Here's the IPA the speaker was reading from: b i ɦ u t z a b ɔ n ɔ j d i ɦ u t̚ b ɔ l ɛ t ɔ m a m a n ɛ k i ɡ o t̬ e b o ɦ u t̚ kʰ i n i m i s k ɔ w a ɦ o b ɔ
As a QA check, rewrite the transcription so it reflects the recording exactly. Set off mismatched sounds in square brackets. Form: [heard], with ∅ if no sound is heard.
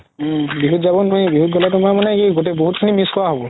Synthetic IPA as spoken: b i ɦ u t z a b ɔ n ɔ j [b] i ɦ u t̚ [ɡ] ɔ l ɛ t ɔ m a m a n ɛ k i ɡ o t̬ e b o ɦ u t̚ kʰ i n i m i s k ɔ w a ɦ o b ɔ